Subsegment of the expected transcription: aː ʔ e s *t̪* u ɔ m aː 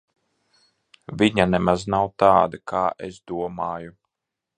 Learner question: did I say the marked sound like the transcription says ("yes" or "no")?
no